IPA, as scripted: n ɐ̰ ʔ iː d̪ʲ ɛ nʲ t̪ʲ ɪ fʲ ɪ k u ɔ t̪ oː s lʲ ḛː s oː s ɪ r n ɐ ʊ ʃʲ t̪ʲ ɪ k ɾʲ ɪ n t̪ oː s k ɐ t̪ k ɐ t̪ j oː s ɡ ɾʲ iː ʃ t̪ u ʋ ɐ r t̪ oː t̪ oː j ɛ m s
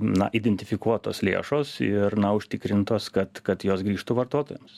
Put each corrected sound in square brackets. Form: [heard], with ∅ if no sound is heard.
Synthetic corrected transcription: n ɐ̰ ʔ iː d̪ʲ ɛ nʲ t̪ʲ ɪ fʲ ɪ k u ɔ t̪ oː s lʲ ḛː [ʃ] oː s ɪ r n ɐ ʊ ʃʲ t̪ʲ ɪ k ɾʲ ɪ n t̪ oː s k ɐ t̪ k ɐ t̪ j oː s ɡ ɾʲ iː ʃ t̪ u ʋ ɐ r t̪ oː t̪ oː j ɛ m s